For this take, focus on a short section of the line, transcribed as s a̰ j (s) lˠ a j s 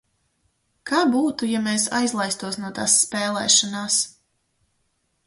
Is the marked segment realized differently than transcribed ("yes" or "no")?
yes